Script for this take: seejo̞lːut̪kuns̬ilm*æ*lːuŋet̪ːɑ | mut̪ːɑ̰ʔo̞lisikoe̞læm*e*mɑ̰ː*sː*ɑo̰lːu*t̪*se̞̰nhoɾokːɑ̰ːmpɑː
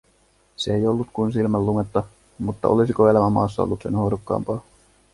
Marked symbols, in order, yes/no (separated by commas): yes, no, yes, yes